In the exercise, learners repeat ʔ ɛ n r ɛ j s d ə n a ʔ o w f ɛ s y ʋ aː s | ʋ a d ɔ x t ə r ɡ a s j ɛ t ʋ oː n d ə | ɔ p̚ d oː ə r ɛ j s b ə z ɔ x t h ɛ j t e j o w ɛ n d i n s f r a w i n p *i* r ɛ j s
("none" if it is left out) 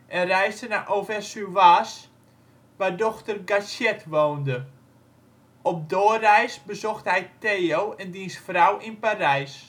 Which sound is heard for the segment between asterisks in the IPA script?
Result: a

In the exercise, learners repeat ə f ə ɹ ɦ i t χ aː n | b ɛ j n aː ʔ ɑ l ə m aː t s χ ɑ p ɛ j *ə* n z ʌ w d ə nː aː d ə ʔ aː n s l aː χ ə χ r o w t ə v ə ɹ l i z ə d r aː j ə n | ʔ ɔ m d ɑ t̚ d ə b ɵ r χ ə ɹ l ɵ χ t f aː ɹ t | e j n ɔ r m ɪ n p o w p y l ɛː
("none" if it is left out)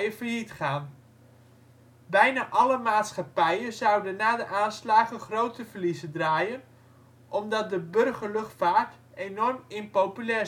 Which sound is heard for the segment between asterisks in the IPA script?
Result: ə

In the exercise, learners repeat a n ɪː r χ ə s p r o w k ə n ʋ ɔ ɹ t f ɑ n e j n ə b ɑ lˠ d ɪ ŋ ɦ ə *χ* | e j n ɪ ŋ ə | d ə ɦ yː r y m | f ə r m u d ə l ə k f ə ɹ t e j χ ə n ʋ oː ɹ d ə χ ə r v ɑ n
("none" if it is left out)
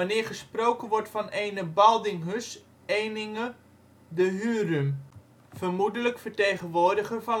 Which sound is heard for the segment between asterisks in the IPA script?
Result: s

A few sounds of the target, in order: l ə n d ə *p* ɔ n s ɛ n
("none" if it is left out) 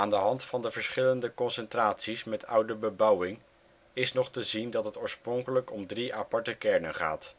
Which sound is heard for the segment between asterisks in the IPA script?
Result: k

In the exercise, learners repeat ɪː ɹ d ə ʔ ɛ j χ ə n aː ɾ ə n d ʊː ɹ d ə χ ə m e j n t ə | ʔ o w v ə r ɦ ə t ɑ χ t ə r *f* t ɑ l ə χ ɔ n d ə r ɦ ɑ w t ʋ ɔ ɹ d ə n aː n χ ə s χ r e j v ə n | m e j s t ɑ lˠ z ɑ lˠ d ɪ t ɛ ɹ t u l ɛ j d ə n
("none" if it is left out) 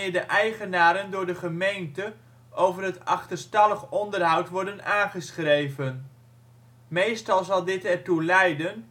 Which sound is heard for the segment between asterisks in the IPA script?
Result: s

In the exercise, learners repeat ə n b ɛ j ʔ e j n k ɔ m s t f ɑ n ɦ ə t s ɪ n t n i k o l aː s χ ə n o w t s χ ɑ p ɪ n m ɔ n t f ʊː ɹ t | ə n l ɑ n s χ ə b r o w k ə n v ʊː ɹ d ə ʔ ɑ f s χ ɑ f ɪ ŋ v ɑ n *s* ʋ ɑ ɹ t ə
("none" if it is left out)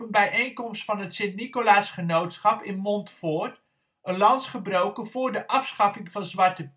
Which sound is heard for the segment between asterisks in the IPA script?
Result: z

